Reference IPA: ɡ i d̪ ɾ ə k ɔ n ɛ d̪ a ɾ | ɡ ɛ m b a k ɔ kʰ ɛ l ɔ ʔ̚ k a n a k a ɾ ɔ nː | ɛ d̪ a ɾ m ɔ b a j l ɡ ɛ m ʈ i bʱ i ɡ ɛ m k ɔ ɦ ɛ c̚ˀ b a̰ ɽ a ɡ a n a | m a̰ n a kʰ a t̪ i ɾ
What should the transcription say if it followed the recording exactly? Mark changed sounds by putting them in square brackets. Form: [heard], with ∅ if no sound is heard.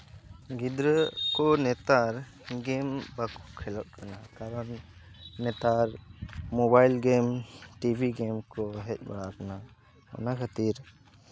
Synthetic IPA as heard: ɡ i d̪ ɾ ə k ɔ n ɛ [t̪] a ɾ | ɡ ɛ m b a k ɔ kʰ ɛ l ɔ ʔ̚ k a n a k a ɾ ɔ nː | ɛ [t̪] a ɾ m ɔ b a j l ɡ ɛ m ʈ i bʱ i ɡ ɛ m k ɔ ɦ ɛ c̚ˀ b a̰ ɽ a [k] a n a | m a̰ n a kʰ a t̪ i ɾ